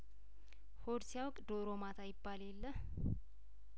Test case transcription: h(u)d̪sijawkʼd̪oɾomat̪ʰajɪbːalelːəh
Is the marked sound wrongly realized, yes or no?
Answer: yes